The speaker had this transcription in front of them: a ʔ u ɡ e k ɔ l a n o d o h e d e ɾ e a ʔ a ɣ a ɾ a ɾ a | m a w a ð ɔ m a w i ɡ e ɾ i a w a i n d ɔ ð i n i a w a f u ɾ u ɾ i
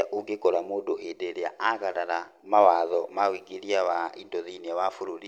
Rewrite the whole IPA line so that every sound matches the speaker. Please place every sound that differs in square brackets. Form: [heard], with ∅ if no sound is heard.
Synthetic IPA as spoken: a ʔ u ɡ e k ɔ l a [m] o d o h e d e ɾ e a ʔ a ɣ a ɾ a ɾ a | m a w a ð ɔ m a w i ɡ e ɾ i a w a i n d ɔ ð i n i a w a f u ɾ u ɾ i